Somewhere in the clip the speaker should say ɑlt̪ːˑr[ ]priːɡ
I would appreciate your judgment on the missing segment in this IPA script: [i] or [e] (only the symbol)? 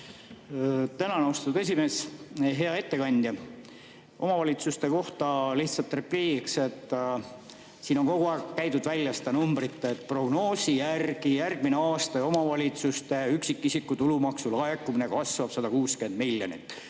e